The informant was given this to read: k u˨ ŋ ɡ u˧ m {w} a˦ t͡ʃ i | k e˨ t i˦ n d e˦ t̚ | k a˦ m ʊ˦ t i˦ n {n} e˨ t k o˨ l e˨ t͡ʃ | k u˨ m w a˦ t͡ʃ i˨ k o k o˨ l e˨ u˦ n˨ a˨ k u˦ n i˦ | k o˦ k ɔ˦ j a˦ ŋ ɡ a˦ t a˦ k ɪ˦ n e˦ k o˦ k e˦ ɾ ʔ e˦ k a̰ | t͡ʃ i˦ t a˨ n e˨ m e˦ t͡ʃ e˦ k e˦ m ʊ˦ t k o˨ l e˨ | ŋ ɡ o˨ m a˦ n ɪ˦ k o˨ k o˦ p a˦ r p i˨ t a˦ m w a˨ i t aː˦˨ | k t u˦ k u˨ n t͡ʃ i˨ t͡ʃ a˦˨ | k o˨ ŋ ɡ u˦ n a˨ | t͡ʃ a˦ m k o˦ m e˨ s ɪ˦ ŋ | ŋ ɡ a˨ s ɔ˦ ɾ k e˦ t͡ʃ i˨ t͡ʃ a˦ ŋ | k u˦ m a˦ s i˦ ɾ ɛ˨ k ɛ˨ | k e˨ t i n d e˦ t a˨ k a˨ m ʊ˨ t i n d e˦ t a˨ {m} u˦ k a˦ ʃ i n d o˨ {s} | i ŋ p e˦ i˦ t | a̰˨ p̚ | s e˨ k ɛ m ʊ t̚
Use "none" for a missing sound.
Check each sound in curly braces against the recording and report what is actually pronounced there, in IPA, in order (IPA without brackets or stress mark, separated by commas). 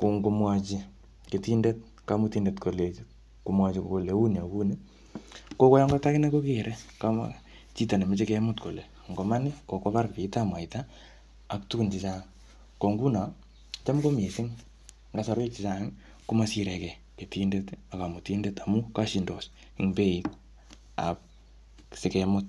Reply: w, d, m, s